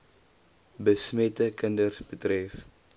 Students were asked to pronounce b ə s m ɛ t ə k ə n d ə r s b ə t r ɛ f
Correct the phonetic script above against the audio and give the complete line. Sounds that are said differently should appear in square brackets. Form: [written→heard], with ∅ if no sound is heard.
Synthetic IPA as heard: b ə s m ɛ t ə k ə n d ə r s b ə t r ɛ f